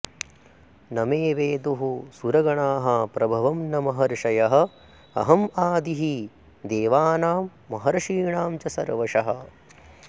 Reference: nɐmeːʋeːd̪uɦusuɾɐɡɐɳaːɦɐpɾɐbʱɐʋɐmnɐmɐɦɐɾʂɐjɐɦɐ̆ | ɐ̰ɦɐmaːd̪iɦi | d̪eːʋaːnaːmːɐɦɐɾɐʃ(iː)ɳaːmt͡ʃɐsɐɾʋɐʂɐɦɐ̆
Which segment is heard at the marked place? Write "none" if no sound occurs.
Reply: iː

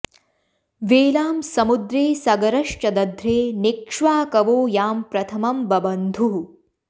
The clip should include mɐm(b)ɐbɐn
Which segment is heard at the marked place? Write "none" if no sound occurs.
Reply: b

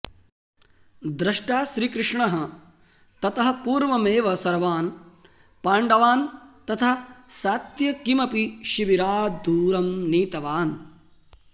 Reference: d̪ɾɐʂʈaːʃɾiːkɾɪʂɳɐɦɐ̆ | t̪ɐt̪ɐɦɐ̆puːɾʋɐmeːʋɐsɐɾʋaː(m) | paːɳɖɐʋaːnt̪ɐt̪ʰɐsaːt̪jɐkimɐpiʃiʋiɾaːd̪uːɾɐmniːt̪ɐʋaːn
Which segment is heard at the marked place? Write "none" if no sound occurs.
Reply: n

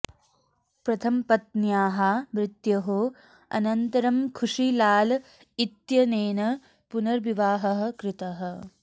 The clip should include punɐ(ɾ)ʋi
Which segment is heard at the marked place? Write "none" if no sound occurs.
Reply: ɾ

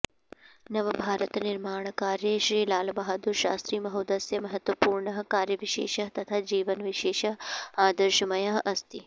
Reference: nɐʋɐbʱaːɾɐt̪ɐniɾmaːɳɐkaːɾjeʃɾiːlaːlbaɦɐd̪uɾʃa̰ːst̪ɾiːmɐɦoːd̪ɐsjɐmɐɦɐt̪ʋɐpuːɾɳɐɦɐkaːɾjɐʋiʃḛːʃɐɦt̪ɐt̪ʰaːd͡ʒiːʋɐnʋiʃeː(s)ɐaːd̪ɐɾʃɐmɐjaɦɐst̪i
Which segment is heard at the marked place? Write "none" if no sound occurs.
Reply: ʃ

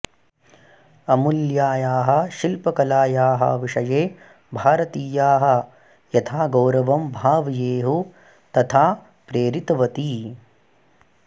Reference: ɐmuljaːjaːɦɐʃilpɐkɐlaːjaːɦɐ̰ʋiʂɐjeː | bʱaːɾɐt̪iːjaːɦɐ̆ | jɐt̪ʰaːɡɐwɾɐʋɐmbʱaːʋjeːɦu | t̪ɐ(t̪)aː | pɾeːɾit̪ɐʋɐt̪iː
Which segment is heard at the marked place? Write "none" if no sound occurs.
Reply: t̪ʰ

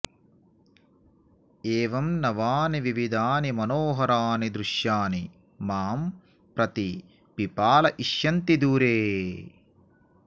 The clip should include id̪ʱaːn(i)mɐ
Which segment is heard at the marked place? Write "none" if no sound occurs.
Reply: i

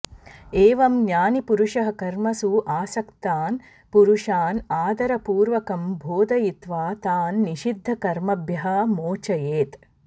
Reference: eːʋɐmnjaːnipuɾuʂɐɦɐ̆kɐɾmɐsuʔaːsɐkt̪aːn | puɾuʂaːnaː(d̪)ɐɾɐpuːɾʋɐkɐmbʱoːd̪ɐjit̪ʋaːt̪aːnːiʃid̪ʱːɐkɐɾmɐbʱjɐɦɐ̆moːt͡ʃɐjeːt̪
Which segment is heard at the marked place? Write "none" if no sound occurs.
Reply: d̪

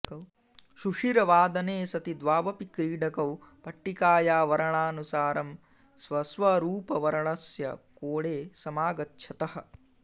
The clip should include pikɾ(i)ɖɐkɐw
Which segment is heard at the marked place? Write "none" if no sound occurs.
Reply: iː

